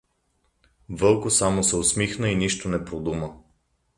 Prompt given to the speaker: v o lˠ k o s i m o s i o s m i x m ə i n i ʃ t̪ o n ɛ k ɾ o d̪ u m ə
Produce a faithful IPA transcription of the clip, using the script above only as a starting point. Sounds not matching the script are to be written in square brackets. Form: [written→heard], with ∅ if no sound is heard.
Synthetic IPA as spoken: v [o→ɤ] lˠ k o s [i→a] m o s [i→ɛ] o s m i x [m→n] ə i n i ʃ t̪ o n ɛ [k→p] ɾ o d̪ u m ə